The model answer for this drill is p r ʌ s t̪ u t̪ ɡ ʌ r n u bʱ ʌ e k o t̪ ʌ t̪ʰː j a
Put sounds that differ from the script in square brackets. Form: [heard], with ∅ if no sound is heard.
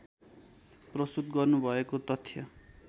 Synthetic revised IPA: p r ʌ s t̪ u t̪ ɡ ʌ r n u bʱ ʌ e k o t̪ ʌ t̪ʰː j [ʌ]